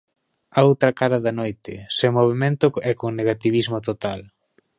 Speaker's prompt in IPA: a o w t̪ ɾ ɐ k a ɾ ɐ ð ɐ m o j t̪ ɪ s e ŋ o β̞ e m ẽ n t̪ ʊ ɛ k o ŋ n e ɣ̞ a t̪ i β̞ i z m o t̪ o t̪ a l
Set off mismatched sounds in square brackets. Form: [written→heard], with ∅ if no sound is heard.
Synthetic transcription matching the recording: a o w t̪ ɾ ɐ k a ɾ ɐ ð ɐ [m→n] o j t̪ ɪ s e [ŋ→m] o β̞ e m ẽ n t̪ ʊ ɛ k o ŋ n e ɣ̞ a t̪ i β̞ i z m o t̪ o t̪ a l